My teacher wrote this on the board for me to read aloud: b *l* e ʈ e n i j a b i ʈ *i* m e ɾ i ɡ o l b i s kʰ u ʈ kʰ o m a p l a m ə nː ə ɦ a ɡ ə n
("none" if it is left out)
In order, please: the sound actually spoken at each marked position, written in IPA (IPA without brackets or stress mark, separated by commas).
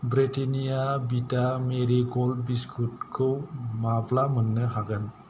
ɾ, a